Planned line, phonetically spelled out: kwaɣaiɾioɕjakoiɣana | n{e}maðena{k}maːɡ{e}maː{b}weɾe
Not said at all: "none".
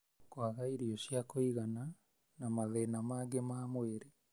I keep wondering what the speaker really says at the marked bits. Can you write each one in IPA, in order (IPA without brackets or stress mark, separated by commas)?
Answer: a, none, e, m